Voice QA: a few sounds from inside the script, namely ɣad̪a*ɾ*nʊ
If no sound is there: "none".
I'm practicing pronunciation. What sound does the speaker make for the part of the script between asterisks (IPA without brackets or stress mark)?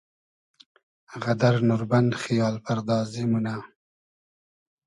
ɾ